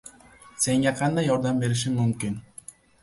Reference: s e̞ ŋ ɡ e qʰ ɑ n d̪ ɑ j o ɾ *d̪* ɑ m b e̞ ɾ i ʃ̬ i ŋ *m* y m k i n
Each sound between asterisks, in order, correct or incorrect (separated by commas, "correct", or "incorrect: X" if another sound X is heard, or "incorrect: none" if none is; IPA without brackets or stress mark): correct, correct